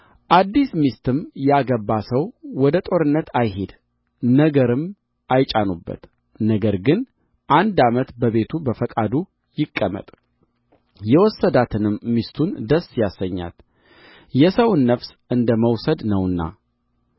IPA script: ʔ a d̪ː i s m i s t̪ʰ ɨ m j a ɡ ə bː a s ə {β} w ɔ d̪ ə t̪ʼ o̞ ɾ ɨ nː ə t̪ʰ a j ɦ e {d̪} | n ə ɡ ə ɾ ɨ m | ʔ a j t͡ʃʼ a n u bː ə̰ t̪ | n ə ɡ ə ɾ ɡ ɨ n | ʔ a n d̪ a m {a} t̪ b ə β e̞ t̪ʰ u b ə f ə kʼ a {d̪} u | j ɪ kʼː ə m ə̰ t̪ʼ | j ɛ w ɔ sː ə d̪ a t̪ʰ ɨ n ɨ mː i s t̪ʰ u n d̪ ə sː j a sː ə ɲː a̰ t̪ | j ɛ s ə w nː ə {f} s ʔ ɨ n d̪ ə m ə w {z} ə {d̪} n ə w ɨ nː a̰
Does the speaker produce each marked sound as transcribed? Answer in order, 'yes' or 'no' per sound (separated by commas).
no, yes, no, yes, yes, no, yes